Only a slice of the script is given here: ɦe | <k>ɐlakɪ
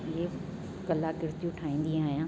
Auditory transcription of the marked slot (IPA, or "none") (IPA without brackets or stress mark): k